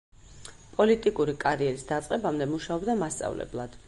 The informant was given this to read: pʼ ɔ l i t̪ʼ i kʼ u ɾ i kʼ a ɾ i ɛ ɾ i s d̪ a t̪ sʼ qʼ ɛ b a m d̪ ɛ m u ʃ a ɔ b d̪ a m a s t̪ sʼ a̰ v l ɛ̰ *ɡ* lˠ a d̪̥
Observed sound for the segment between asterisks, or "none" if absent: b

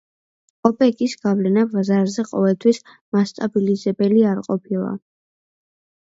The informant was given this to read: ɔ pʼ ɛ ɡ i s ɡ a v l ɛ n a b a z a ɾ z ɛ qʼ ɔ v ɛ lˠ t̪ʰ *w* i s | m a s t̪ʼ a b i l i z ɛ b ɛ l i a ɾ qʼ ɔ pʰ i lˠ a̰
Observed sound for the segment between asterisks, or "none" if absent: w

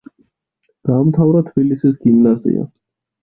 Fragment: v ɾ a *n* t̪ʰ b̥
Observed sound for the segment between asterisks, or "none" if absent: none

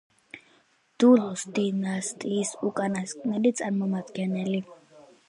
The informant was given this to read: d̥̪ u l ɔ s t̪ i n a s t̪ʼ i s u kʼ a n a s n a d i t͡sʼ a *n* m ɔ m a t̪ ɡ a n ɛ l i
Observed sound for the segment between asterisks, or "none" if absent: n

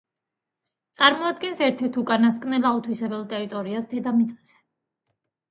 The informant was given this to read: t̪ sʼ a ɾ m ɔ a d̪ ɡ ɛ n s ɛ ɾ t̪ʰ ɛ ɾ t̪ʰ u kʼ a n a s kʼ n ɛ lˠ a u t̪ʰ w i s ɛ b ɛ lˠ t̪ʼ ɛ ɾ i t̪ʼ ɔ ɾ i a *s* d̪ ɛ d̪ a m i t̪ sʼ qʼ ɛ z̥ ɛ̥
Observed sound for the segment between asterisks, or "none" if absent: s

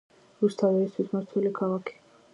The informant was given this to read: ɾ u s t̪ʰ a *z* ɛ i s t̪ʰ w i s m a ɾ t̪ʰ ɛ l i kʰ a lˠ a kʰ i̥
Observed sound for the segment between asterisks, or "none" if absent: v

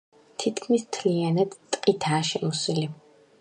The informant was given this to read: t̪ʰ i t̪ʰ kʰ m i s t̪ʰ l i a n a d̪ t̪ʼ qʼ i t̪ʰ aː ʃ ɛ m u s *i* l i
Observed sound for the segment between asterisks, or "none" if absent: i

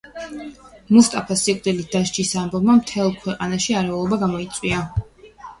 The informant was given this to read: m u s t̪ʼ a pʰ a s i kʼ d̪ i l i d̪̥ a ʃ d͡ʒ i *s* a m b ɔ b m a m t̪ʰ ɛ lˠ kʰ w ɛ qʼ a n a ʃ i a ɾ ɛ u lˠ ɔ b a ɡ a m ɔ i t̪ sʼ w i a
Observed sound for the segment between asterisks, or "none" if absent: s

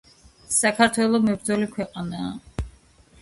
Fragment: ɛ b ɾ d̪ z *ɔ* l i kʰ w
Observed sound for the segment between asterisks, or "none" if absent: ɔ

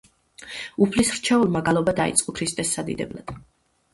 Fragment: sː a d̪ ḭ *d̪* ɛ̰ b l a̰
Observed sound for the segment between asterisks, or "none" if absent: d̪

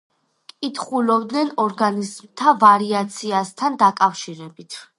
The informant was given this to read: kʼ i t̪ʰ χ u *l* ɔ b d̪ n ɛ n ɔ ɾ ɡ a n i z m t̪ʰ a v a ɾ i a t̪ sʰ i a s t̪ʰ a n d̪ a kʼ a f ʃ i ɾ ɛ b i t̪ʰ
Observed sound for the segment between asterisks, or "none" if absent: l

